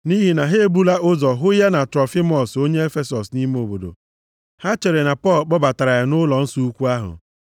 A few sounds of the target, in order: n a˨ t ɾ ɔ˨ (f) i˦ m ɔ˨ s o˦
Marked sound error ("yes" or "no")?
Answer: no